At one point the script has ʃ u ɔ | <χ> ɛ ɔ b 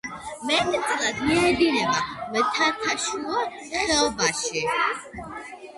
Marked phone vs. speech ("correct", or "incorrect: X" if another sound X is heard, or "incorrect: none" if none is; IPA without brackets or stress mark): correct